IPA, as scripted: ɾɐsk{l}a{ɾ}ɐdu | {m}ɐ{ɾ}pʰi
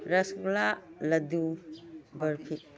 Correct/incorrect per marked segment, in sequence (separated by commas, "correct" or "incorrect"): correct, incorrect, incorrect, correct